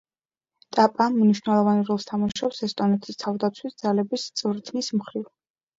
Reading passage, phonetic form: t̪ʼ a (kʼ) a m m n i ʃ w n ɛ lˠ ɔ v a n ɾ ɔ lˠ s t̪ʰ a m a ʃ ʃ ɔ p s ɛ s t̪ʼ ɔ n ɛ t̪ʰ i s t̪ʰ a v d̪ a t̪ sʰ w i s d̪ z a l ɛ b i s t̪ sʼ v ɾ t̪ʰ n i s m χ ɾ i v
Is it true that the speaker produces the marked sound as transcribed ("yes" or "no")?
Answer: no